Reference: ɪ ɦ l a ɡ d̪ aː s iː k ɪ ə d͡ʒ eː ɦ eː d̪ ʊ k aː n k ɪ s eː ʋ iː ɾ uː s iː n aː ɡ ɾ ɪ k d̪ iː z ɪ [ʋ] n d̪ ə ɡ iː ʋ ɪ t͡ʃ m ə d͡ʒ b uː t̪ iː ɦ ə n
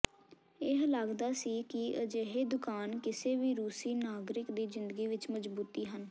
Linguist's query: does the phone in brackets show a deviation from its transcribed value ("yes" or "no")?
yes